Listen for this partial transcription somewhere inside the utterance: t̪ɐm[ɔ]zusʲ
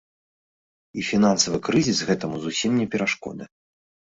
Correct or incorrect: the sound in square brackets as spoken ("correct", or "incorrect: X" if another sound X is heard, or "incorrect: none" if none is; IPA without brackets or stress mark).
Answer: incorrect: u